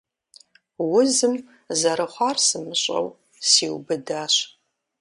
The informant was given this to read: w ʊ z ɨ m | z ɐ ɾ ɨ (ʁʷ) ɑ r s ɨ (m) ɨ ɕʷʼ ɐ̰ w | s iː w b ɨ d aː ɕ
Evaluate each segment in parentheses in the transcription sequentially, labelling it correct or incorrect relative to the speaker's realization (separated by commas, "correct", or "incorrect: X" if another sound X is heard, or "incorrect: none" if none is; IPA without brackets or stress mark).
incorrect: χʷ, correct